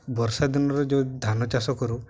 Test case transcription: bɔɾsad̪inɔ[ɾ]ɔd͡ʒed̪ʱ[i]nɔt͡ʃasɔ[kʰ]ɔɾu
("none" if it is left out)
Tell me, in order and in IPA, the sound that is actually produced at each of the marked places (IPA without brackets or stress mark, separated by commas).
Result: ɾ, a, k